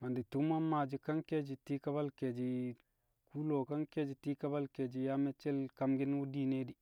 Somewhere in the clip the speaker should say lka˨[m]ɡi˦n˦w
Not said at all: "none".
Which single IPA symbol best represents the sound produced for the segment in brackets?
m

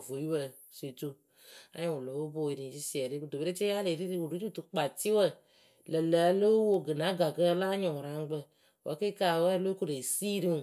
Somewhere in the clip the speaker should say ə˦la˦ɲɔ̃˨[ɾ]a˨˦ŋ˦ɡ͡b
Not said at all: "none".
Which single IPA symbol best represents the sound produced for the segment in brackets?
ɾ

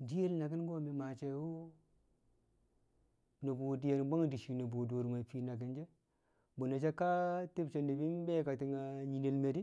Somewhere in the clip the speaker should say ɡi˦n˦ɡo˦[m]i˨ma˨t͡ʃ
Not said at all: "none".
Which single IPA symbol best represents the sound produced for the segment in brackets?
m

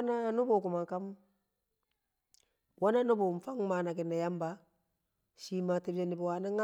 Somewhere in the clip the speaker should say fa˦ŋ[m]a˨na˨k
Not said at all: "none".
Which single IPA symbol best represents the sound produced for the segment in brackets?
m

